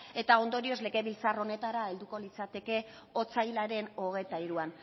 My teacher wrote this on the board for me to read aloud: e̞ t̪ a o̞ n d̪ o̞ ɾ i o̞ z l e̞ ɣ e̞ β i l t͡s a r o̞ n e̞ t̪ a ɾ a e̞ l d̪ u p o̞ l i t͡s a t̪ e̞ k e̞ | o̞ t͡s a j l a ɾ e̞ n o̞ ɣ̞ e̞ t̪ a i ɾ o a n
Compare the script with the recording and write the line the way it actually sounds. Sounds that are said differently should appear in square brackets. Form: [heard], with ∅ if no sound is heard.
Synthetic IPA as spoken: e̞ t̪ a o̞ n d̪ o̞ ɾ i o̞ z l e̞ ɣ e̞ β i l t͡s a r o̞ n e̞ t̪ a ɾ a e̞ l d̪ u [k] o̞ l i t͡s a t̪ e̞ k e̞ | o̞ t͡s a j l a ɾ e̞ n o̞ ɣ̞ e̞ t̪ a i ɾ [u] a n